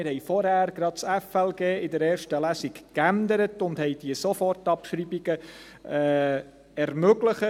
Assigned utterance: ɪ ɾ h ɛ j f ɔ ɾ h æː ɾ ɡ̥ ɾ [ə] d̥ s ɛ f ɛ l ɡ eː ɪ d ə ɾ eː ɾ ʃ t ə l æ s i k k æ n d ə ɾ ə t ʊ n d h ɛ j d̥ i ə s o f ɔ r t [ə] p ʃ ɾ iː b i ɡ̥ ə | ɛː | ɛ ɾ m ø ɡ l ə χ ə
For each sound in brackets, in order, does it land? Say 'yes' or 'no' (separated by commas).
no, no